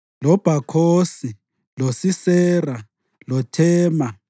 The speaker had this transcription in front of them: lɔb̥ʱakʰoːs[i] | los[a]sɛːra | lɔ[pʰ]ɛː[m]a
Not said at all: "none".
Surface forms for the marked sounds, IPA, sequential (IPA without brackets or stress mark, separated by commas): i, i, tʰ, m